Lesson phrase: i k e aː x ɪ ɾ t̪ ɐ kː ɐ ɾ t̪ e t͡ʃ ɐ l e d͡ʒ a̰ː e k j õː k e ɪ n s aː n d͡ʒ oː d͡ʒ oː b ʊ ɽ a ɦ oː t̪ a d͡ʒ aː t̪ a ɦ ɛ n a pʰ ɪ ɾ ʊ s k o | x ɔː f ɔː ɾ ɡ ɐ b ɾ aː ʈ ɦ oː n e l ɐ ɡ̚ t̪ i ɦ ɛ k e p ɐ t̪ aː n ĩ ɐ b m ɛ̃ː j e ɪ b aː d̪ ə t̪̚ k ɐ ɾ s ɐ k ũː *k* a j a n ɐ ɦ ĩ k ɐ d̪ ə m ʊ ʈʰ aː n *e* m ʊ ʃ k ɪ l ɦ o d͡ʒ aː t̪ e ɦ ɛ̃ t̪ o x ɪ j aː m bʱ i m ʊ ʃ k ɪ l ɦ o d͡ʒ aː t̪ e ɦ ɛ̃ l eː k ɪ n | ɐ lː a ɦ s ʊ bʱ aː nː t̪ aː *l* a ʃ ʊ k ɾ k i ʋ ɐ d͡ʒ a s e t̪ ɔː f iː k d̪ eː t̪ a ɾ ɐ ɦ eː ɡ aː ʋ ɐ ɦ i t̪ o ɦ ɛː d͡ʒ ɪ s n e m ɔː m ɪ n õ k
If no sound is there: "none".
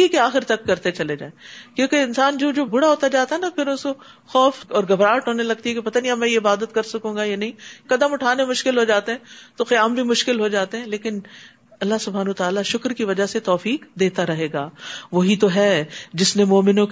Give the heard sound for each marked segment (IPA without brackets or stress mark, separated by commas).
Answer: ɡ, e, l